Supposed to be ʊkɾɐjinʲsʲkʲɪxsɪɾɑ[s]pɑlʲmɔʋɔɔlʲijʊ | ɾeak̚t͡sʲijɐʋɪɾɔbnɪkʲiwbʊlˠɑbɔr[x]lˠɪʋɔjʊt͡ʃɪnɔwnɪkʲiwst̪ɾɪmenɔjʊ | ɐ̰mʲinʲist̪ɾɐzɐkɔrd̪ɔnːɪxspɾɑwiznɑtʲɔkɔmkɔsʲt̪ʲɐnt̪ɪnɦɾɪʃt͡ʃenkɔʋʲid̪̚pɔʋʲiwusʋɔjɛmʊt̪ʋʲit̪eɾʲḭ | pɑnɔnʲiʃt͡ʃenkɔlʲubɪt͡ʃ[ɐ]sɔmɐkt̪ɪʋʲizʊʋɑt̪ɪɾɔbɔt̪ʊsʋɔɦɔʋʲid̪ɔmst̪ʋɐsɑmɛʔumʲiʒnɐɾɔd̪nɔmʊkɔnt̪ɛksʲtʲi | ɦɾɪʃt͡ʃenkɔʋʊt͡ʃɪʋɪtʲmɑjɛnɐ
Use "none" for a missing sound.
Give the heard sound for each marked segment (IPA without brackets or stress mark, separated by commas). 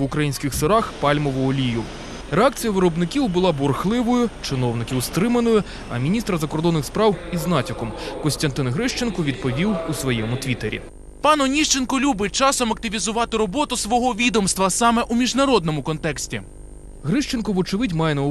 x, x, ɑ